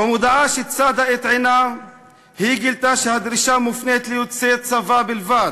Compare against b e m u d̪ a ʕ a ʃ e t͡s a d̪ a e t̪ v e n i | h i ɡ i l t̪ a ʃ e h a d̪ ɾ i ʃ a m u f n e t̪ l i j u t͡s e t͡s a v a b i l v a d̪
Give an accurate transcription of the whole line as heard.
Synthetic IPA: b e m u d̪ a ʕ a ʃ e t͡s a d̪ a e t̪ ʕ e n a | h i ɡ i l t̪ a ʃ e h a d̪ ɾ i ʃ a m u f n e t̪ l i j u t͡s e t͡s a v a b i l v a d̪